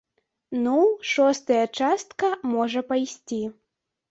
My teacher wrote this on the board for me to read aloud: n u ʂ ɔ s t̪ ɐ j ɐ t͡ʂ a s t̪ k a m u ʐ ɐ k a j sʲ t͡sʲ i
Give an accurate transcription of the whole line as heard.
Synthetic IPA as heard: n u ʂ ɔ s t̪ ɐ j ɐ t͡ʂ a s t̪ k ɐ m ɔ ʐ ɐ p a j sʲ t͡sʲ i

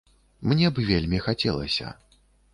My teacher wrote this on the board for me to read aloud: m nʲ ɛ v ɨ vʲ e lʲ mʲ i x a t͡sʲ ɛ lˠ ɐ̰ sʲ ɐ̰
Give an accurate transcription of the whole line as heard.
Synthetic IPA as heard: m nʲ ɛ b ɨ vʲ e lʲ mʲ i x a t͡sʲ ɛ lˠ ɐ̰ sʲ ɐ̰

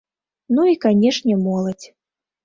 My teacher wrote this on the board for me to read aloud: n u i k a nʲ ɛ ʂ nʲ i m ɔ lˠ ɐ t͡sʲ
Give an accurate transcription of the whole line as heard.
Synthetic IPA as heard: n u i k a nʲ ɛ ʂ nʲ ɛ m ɔ lˠ ɐ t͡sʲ

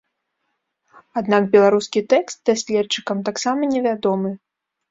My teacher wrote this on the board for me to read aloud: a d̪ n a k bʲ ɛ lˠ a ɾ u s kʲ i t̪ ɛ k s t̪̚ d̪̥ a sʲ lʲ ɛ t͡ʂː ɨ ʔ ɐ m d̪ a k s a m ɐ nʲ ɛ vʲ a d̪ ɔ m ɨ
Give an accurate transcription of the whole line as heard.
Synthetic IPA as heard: a d̪ n a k bʲ ɛ lˠ a ɾ u s kʲ i t̪ ɛ k s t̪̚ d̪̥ a sʲ lʲ ɛ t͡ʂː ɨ k ɐ m t̪ a k s a m ɐ nʲ ɛ vʲ a d̪ ɔ m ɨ

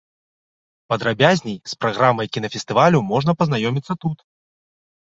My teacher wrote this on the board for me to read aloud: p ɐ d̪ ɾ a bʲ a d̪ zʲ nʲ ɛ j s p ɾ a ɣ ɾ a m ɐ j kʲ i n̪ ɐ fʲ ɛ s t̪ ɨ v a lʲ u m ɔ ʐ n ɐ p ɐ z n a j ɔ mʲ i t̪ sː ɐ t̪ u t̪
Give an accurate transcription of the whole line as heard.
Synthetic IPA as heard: p ɐ d̪ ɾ a bʲ a zʲ nʲ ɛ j s p ɾ a ɣ ɾ a m ɐ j kʲ i n̪ ɐ fʲ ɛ s t̪ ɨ v a lʲ u m ɔ ʐ n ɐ p ɐ z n a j ɔ mʲ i t̪ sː ɐ t̪ u t̪

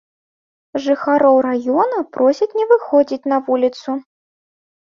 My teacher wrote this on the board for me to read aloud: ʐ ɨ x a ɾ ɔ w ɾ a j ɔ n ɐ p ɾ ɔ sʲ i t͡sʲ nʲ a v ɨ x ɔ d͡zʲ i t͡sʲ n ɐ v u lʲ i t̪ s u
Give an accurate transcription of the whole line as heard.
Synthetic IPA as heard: ʐ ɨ x a ɾ ɔ w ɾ a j ɔ n ɐ p ɾ ɔ sʲ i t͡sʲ nʲ ɛ v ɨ x ɔ d͡zʲ i t͡sʲ n ɐ v u lʲ i t̪ s u

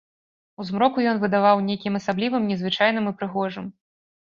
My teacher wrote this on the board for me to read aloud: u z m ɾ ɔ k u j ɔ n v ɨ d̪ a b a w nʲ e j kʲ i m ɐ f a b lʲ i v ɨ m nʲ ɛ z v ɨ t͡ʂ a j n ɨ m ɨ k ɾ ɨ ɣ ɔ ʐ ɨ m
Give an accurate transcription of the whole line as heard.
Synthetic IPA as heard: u z m ɾ ɔ k u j ɔ n v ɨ d̪ a v a w nʲ e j kʲ i m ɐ s a b lʲ i v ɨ m nʲ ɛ z v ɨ t͡ʂ a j n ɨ m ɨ p ɾ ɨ ɣ ɔ ʐ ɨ m

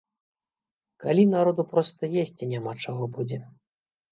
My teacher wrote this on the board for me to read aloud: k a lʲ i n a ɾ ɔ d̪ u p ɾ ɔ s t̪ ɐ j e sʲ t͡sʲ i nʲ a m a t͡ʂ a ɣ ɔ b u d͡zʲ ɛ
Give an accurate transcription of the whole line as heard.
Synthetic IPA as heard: k a lʲ i n a ɾ ɔ d̪ u p ɾ ɔ s t̪ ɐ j e sʲ t͡sʲ i nʲ a m a t͡ʂ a ɣ ɔ b u d͡zʲ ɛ

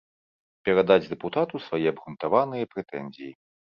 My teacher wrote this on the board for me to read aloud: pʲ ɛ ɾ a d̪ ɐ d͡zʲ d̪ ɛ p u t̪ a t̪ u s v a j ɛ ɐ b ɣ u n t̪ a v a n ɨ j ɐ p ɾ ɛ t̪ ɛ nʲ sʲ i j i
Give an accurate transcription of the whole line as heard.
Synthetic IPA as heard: pʲ ɛ ɾ a d̪ a d͡zʲ d̪ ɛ p u t̪ a t̪ u s v a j ɛ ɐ b ɣ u n t̪ a v a n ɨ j ɐ p ɾ ɛ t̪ ɛ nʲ zʲ i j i

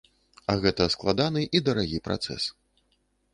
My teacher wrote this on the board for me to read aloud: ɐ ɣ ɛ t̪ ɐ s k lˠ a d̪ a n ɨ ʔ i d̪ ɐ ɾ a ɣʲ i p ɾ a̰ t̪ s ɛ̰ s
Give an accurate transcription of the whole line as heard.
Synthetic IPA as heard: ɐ ɣ ɛ t̪ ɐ s k lˠ a d̪ a n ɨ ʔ i d̪ ɐ ɾ a ɣʲ i p ɾ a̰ t̪ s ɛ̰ s

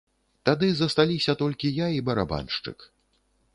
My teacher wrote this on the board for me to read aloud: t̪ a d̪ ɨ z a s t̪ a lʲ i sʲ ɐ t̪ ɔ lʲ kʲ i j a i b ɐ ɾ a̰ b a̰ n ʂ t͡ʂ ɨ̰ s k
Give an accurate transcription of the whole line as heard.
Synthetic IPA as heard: t̪ a d̪ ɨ z ɐ s t̪ a lʲ i sʲ ɐ t̪ ɔ lʲ kʲ i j a i b ɐ ɾ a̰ b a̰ n ʂ t͡ʂ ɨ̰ k

